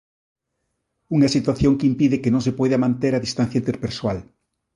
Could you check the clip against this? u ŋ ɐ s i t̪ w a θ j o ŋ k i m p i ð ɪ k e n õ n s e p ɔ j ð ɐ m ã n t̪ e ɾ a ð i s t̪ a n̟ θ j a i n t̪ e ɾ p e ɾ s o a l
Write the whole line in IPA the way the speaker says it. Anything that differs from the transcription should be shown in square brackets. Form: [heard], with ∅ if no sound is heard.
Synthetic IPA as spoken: u ŋ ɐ s i t̪ w a θ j o ŋ k i m p i ð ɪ k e n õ [ŋ] s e p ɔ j ð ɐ m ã n t̪ e ɾ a ð i s t̪ a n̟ θ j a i n t̪ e ɾ p e ɾ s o a l